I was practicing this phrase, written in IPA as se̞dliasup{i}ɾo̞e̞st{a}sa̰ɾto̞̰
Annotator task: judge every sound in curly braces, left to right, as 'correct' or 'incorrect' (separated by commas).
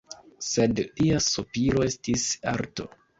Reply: correct, incorrect